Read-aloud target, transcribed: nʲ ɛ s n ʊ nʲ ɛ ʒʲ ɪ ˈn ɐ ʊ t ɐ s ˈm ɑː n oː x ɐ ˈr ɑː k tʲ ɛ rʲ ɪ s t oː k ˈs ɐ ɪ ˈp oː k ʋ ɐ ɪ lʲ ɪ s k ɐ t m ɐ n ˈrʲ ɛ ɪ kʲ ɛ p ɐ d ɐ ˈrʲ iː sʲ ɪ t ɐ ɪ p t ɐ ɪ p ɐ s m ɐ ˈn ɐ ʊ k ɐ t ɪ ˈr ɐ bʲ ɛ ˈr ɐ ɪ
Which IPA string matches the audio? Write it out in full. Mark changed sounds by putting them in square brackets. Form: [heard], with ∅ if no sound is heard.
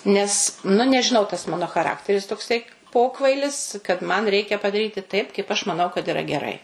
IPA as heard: nʲ ɛ s n ʊ nʲ ɛ ʒʲ ɪ ˈn ɐ ʊ t ɐ s ˈm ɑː n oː x ɐ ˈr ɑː k tʲ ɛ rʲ ɪ s t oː k ˈs ɐ ɪ ˈp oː k ʋ ɐ ɪ lʲ ɪ s k ɐ t m ɐ n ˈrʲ ɛ ɪ kʲ ɛ p ɐ d ɐ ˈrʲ iː [tʲ] ɪ t ɐ ɪ p [k] ɐ ɪ p ɐ [ʃ] m ɐ ˈn ɐ ʊ k ɐ t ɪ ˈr ɐ [ɡʲ] ɛ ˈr ɐ ɪ